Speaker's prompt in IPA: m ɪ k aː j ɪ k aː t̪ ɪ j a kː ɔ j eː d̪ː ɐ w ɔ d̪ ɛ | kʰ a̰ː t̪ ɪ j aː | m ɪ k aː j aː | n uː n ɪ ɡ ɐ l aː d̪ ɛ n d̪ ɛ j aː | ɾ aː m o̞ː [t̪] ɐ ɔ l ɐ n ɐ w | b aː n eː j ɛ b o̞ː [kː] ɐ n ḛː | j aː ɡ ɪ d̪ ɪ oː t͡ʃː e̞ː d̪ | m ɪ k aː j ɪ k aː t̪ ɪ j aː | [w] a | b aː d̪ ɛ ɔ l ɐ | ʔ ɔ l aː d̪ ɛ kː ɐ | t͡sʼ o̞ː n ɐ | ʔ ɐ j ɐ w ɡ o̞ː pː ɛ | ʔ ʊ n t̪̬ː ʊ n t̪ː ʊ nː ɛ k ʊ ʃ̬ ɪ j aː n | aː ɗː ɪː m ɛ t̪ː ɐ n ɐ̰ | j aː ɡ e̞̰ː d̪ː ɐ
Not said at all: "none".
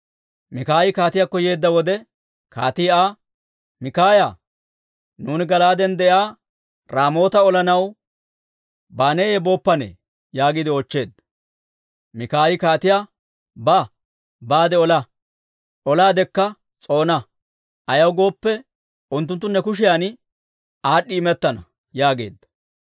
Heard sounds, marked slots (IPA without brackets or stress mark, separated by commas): t̪, pː, b